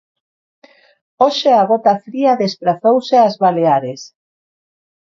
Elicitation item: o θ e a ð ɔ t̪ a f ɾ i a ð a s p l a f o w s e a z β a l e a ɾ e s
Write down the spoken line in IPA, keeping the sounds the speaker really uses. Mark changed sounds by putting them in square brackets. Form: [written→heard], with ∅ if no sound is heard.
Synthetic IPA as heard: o [θ→ʃ] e a [ð→ɣ] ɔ t̪ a f ɾ i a ð [a→e] s p [l→ɾ] a [f→θ] o w s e a z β a l e a ɾ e s